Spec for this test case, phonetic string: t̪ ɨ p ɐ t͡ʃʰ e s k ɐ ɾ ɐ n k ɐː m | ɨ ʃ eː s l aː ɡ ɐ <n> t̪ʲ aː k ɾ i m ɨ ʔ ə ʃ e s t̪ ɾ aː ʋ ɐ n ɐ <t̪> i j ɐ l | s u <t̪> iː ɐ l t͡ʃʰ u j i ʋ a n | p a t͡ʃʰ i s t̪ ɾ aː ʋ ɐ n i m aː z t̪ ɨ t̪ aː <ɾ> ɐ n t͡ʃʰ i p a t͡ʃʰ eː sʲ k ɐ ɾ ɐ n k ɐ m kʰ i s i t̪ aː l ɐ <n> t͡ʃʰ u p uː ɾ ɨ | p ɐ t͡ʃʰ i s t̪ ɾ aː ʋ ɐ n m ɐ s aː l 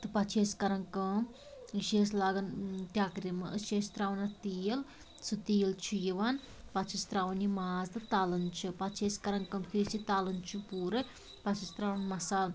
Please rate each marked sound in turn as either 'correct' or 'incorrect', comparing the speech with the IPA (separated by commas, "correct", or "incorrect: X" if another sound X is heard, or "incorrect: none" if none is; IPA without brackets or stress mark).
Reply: correct, correct, correct, incorrect: l, correct